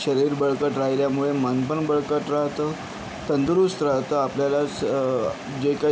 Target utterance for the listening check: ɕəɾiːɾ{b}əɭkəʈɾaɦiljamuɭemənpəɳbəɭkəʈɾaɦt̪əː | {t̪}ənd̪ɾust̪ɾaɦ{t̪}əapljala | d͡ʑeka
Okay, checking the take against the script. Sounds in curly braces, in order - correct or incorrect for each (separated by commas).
correct, correct, correct